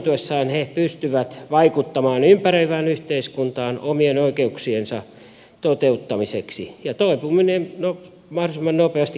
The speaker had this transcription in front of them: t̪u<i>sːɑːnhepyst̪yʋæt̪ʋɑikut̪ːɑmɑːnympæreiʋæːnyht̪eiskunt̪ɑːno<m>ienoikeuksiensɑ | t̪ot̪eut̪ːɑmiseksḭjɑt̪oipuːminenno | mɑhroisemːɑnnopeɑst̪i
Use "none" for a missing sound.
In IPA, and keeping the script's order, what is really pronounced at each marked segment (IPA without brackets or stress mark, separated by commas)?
e, m